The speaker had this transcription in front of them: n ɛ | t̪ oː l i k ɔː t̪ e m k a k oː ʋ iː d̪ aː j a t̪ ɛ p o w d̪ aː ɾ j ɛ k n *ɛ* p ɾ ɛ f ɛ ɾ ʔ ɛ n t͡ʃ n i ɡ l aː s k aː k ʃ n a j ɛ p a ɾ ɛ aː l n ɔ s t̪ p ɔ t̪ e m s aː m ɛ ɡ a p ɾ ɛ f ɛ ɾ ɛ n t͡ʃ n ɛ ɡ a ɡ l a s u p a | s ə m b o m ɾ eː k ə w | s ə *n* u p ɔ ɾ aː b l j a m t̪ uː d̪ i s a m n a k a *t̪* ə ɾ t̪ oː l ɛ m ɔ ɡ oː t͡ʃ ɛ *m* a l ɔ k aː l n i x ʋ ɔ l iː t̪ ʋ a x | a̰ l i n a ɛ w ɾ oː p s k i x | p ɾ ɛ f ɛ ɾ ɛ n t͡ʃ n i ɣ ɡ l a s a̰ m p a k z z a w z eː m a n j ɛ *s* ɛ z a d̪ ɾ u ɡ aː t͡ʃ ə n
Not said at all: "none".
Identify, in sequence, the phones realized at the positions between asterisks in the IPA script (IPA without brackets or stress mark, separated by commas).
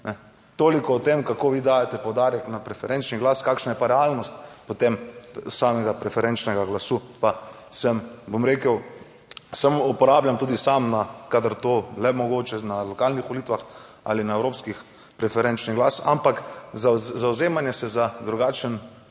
a, m, d̪, n, s